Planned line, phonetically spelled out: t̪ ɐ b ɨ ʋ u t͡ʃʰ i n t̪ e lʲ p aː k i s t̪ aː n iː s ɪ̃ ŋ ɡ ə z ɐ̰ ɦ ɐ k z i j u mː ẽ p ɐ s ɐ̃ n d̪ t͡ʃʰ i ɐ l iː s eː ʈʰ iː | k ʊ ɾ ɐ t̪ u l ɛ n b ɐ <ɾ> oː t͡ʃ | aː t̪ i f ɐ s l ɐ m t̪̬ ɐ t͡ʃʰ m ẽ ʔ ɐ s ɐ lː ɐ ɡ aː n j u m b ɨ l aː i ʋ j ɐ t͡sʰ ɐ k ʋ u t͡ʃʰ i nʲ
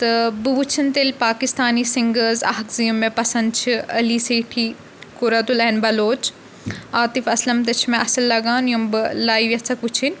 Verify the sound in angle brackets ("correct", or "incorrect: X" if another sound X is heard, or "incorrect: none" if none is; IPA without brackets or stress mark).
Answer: incorrect: l